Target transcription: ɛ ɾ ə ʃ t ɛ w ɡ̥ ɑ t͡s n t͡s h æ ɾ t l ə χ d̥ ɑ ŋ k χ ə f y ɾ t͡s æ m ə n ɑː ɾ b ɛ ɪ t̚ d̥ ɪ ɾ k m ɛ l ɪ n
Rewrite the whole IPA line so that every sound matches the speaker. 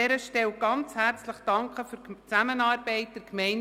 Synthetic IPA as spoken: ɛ ɾ ə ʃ t ɛ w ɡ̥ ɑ n t͡s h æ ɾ t͡s l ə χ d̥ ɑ ŋ k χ ə f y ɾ t͡s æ m ə n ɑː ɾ b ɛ ɪ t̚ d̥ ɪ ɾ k m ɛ ɪ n